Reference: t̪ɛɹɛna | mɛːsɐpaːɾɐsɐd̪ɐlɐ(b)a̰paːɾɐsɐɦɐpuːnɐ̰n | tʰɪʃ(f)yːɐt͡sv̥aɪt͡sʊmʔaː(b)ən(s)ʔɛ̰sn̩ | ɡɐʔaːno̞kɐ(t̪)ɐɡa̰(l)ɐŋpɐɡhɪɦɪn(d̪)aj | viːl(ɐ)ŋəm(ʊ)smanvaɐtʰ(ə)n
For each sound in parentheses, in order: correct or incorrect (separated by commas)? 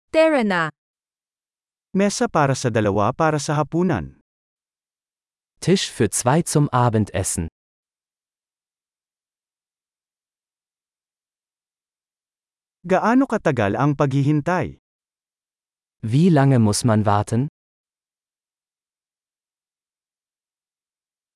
incorrect, correct, correct, incorrect, correct, correct, incorrect, incorrect, correct, correct